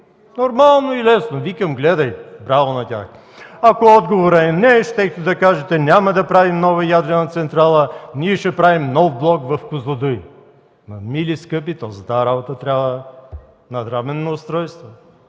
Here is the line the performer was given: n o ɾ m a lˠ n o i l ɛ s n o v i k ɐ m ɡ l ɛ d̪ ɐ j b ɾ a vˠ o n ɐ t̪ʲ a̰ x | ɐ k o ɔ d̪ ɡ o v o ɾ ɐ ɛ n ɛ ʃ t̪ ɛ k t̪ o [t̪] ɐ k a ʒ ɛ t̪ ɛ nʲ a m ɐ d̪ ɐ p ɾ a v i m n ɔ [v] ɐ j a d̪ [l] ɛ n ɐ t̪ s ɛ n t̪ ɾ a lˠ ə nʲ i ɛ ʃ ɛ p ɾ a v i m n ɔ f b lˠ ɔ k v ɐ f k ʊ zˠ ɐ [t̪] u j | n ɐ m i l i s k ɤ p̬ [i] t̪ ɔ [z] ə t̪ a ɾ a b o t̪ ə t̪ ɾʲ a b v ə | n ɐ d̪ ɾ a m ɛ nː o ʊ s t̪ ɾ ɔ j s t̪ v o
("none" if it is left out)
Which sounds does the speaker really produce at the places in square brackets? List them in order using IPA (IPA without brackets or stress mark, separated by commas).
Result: d̪, v, ɾ, d̪, i, z